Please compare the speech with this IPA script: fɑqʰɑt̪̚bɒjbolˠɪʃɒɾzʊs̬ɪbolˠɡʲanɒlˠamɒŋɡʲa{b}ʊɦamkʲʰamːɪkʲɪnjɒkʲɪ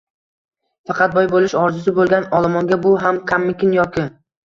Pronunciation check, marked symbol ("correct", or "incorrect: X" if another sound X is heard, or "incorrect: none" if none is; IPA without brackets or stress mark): correct